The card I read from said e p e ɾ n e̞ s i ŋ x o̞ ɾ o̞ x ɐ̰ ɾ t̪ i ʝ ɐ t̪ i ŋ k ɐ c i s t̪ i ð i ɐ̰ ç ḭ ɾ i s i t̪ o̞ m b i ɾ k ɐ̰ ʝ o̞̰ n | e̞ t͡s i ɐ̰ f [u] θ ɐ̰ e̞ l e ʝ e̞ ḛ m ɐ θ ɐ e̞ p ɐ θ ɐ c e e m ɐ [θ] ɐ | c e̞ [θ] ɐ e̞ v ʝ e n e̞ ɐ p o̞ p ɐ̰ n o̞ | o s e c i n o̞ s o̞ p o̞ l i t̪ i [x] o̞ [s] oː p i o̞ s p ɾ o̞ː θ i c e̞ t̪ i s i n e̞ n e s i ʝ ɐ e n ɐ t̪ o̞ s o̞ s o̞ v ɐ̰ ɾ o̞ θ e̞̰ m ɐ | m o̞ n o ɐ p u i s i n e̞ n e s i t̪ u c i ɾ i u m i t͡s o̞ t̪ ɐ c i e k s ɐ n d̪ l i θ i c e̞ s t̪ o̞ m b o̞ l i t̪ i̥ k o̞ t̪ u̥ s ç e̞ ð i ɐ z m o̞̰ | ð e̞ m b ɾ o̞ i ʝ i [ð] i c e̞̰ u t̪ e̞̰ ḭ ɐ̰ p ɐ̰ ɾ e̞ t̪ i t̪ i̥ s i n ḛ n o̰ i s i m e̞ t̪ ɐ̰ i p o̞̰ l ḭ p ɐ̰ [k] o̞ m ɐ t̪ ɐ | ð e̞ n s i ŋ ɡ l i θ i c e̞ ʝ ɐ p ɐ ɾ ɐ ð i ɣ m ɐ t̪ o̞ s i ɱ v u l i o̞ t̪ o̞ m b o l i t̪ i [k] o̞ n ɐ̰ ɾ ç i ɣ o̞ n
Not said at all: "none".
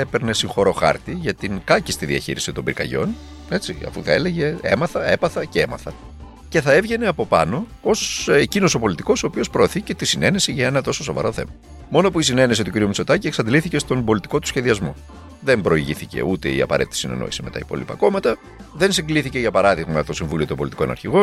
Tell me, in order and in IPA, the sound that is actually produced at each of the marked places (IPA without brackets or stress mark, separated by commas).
u, θ, θ, k, s, θ, k, k